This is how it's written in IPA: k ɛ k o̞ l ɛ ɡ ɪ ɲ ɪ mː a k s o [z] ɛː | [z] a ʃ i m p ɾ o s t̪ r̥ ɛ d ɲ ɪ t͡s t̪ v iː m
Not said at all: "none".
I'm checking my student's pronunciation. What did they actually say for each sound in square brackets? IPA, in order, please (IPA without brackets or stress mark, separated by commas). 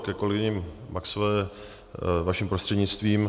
v, v